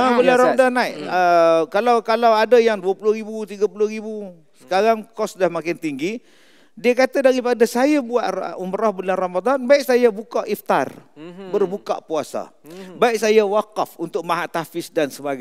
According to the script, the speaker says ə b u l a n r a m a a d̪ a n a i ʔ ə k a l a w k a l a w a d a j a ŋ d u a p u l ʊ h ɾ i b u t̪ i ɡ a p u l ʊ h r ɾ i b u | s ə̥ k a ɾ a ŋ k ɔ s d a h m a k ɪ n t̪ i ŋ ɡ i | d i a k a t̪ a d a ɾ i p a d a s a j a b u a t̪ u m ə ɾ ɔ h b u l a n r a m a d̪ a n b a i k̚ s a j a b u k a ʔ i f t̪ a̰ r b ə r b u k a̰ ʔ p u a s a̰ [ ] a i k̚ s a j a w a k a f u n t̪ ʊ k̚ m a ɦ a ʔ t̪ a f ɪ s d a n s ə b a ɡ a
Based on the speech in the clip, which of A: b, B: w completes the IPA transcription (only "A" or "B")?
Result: A